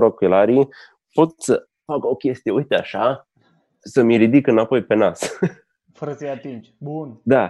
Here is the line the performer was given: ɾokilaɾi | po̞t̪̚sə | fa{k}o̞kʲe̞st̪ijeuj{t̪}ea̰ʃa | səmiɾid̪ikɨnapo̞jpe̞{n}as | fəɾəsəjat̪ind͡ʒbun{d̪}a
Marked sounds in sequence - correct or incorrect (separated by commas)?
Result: correct, correct, correct, correct